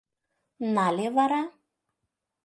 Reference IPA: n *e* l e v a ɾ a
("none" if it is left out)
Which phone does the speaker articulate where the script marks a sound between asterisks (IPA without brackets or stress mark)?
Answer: a